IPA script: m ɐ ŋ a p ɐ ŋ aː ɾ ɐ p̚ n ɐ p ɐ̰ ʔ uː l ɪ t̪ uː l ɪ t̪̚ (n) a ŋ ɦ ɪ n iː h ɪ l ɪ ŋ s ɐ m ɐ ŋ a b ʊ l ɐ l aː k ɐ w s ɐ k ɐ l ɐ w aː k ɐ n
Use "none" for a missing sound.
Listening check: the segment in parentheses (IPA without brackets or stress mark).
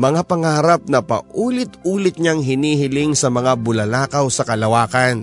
ɲ